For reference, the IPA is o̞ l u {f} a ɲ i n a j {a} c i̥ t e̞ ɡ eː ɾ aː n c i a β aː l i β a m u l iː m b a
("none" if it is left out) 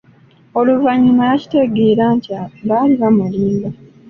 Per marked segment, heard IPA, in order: v, a

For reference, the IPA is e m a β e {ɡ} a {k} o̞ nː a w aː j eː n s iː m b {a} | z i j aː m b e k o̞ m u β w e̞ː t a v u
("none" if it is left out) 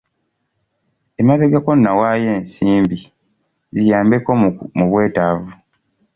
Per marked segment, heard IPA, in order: ɡ, k, i

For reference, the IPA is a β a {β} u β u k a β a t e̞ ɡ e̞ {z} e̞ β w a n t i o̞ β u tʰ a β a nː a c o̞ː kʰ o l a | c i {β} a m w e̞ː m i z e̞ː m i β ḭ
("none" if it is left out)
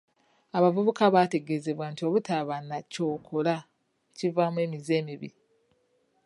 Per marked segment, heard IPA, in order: v, z, v

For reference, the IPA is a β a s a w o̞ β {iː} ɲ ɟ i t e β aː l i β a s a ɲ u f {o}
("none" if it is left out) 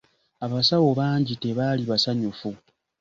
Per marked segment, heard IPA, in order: aː, u

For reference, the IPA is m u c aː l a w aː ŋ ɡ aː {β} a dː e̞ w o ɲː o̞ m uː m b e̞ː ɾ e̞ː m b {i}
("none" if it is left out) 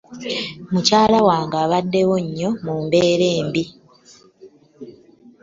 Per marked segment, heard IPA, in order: β, i

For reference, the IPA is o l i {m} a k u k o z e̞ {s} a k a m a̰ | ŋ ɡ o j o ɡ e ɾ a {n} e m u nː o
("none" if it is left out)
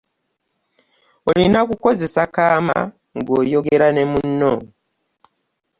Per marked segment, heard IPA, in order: n, s, n

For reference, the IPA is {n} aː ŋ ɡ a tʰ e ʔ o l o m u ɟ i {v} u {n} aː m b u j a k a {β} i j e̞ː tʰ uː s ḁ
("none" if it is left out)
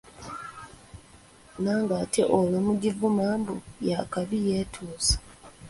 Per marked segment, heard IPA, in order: n, v, m, β

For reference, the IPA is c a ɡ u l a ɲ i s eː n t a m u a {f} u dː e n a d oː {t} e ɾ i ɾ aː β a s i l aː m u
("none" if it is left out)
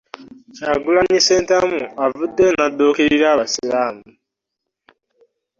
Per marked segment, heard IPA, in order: v, k

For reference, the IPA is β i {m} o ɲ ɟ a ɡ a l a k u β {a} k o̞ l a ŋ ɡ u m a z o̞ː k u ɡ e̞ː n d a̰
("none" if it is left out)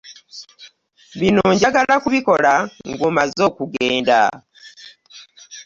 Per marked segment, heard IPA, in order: n, i

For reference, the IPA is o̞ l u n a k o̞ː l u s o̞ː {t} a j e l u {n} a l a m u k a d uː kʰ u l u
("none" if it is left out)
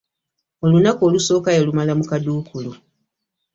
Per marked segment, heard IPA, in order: k, m

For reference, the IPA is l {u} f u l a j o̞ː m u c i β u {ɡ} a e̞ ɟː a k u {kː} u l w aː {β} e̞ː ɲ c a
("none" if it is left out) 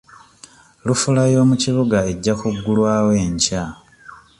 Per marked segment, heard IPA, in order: u, ɡ, ɡː, w

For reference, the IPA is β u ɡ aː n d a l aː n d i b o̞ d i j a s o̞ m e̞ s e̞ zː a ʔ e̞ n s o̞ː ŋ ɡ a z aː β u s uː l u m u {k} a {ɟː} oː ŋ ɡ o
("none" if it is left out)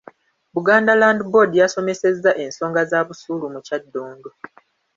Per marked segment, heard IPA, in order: c, dː

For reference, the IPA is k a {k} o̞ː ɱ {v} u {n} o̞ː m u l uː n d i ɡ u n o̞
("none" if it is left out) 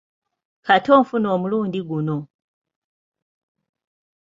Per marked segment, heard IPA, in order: t, f, n

